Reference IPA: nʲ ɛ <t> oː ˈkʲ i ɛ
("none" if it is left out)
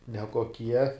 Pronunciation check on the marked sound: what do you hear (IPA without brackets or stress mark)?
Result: k